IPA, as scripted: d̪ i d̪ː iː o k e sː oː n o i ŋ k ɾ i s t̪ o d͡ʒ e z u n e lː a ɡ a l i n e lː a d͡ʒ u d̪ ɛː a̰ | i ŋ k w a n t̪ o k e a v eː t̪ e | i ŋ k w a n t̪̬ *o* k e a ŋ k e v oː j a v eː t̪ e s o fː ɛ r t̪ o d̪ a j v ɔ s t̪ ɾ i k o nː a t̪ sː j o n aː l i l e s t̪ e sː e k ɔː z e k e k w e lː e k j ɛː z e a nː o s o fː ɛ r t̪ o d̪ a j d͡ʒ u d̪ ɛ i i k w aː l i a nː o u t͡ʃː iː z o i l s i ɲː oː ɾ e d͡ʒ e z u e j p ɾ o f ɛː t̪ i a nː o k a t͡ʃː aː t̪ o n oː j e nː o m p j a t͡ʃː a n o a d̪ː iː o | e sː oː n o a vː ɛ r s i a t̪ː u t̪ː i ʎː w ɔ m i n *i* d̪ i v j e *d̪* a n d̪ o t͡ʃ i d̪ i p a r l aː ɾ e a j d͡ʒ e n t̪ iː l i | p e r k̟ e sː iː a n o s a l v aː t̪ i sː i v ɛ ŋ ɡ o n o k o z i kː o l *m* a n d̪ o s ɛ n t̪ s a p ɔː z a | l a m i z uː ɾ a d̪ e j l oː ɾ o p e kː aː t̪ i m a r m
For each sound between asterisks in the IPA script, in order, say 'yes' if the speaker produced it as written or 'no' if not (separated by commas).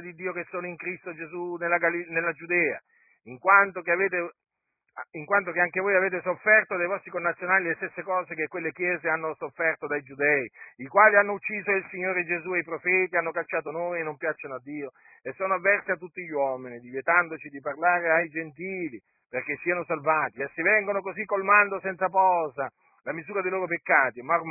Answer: yes, yes, no, yes